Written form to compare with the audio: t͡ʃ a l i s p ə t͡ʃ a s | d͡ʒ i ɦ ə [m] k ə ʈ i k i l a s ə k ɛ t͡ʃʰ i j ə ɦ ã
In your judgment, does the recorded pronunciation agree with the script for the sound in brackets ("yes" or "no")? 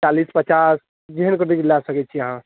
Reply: no